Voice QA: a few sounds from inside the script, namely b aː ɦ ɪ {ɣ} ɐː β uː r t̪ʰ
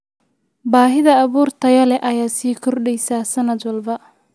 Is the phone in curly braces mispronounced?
yes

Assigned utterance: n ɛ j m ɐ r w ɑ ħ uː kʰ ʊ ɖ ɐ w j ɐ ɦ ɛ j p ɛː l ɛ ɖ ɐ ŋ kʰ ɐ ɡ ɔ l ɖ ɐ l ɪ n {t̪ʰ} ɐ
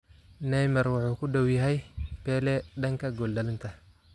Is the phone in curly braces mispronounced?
no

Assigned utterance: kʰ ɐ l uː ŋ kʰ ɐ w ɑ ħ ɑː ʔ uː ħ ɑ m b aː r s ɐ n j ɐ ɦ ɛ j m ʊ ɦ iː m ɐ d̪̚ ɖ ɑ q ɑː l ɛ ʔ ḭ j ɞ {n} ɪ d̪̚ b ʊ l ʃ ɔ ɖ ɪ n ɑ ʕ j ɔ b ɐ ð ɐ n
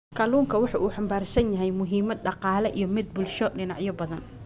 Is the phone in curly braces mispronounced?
yes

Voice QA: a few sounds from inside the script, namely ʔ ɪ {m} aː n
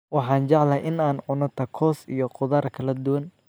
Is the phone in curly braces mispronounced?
yes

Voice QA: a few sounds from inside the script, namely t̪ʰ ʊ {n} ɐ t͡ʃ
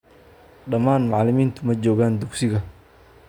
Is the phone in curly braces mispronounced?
yes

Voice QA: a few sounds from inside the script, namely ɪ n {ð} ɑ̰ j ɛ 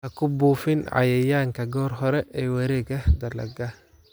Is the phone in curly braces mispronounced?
yes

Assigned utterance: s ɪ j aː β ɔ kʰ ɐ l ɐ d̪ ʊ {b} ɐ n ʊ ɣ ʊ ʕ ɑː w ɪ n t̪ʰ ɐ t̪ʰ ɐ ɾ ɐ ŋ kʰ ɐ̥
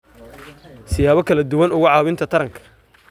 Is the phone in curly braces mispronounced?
yes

